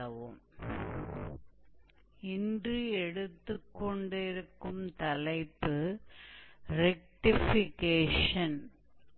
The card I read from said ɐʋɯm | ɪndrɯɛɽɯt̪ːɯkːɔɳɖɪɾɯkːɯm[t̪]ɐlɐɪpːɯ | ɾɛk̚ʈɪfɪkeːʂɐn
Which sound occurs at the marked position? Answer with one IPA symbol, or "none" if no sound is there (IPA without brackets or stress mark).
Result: t̪